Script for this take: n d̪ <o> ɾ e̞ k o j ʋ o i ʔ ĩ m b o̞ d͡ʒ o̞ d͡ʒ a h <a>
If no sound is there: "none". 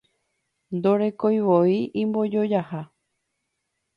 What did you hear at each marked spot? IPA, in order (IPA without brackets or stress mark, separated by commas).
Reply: o, a